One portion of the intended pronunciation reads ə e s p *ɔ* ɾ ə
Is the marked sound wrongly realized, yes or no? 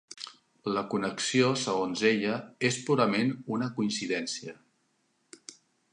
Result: yes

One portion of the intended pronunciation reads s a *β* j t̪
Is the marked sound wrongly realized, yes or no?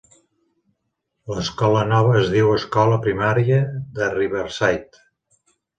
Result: yes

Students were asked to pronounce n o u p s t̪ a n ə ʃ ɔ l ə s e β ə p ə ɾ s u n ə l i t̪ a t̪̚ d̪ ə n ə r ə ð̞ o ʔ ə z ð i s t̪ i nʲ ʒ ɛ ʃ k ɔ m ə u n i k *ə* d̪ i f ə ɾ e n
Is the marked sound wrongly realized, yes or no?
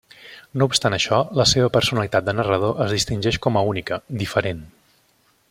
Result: no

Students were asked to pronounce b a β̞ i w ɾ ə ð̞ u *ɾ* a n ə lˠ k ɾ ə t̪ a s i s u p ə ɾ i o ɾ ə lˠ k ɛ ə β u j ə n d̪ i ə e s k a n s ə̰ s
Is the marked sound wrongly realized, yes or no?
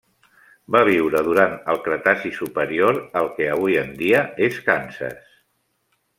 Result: no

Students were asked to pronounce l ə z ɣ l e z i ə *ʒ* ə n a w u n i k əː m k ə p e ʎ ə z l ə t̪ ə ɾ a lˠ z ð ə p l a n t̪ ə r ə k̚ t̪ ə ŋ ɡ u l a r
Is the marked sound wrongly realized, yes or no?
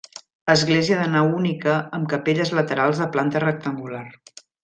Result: yes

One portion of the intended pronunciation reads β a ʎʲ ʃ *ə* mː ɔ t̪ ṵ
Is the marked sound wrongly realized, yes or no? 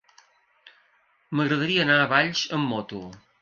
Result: no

